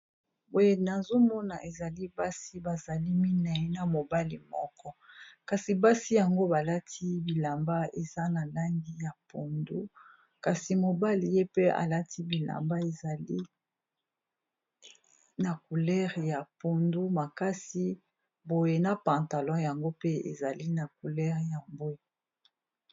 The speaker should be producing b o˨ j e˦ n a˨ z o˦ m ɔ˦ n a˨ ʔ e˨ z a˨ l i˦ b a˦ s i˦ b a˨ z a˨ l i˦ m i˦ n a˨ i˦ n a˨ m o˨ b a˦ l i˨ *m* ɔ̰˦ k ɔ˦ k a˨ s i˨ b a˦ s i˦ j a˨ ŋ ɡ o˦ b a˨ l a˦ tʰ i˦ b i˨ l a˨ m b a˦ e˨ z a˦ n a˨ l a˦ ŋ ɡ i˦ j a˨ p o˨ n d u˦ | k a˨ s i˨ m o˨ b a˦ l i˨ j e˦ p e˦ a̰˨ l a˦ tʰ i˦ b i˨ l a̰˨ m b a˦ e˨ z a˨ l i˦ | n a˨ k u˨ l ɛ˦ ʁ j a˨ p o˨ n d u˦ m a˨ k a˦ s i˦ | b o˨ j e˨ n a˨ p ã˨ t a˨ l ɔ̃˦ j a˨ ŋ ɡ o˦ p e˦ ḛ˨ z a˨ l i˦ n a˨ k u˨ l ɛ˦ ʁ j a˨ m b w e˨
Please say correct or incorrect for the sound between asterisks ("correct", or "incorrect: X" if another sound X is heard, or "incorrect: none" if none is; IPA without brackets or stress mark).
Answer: correct